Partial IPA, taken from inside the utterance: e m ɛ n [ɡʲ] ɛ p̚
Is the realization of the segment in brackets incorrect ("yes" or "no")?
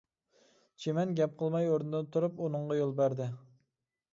no